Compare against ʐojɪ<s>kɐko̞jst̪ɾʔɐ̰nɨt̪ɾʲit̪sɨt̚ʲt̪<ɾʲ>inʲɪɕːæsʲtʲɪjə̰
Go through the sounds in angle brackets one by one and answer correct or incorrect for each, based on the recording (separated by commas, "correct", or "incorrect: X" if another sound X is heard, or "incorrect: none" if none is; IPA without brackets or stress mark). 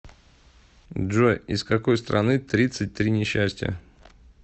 correct, correct